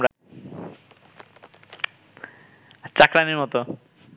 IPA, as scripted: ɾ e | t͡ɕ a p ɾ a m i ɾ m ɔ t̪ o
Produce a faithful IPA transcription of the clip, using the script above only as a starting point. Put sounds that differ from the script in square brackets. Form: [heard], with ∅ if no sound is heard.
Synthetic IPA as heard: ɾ [a] | t͡ɕ a [k] ɾ a [n] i ɾ m ɔ t̪ o